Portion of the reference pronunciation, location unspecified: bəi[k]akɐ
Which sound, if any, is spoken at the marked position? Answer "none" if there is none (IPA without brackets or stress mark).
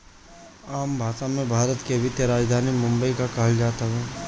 k